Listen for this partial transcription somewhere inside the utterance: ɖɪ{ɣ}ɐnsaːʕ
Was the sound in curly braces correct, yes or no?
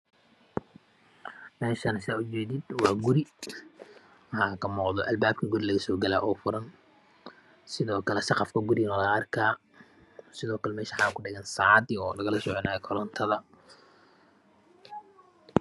yes